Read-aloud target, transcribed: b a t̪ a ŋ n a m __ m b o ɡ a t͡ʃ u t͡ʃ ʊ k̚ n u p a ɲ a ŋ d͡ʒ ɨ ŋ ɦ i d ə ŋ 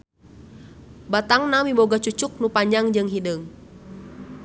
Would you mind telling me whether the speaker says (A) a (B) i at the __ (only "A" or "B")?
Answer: B